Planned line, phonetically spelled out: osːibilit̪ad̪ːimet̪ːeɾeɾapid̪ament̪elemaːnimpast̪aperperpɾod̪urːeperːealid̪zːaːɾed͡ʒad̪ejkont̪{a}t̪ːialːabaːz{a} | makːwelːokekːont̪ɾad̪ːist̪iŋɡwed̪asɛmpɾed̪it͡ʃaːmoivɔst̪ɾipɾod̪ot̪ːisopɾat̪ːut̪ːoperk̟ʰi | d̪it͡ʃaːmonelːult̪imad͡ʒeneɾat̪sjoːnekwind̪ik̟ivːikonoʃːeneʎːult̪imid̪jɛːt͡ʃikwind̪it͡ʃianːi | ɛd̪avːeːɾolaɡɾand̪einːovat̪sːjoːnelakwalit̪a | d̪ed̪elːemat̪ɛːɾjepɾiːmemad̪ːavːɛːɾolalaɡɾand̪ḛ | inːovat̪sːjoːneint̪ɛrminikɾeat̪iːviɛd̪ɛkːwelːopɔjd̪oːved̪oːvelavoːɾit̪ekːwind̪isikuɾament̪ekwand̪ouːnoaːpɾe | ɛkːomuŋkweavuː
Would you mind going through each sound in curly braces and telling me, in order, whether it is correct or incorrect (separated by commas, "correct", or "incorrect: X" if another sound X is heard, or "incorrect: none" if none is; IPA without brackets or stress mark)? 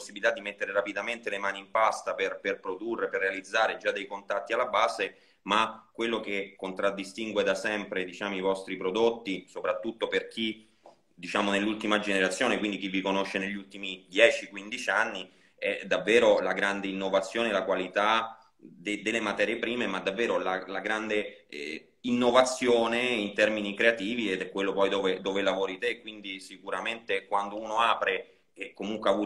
correct, incorrect: e